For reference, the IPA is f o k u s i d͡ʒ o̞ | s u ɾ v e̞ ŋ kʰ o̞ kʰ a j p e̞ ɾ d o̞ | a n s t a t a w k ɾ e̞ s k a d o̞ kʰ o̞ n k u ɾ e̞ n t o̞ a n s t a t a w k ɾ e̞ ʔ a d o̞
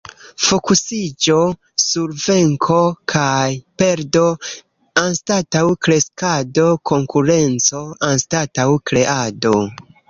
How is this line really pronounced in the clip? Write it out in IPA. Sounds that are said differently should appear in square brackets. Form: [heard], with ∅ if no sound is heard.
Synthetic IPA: f o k u s i d͡ʒ o̞ | s u ɾ v e̞ ŋ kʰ o̞ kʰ a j p e̞ ɾ d o̞ | a n s t a t a w k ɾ e̞ s k a d o̞ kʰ o̞ [ŋ] k u ɾ e̞ n [t͡s] o̞ a n s t a t a w k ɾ e̞ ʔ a d o̞